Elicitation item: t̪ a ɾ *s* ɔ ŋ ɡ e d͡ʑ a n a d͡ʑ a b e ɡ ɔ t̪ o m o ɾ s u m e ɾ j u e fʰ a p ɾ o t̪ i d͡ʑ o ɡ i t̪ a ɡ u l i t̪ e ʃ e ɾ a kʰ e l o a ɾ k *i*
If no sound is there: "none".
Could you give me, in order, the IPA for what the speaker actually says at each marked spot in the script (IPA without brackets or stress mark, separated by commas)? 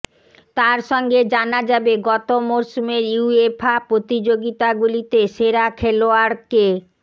ʃ, e